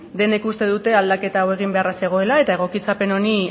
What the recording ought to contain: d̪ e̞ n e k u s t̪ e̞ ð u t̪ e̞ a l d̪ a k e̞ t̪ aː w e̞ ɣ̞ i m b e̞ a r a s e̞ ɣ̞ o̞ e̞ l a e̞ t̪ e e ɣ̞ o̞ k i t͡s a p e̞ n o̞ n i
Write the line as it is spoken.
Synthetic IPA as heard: d̪ e̞ n e k u s t̪ e̞ ð u t̪ e̞ a l d̪ a k e̞ t̪ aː w e̞ ɣ̞ i m b e̞ a r a s e̞ ɣ̞ o̞ e̞ l a e̞ t̪ a e ɣ̞ o̞ k i t͡s a p e̞ n o̞ n i